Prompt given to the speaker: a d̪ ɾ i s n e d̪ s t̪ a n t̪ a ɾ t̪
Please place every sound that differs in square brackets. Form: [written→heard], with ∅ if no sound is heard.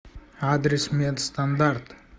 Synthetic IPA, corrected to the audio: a d̪ ɾ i s [n→m] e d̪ s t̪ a n [t̪→d̪] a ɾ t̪